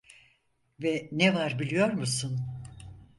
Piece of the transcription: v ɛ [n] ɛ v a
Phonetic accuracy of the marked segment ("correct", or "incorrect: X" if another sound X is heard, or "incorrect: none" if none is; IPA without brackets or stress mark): correct